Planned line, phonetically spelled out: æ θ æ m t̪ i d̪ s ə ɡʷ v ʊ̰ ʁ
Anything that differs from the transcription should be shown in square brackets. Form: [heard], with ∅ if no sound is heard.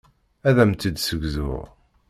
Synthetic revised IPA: æ [ð] æ m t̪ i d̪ s ə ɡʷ [z] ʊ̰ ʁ